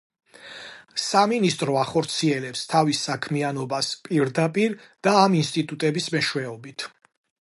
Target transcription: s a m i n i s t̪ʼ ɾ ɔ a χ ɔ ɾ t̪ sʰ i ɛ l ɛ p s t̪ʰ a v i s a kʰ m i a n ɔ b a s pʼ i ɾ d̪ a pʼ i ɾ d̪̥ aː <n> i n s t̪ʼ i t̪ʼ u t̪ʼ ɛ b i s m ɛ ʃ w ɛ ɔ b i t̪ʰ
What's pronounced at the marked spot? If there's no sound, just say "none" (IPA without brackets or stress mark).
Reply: m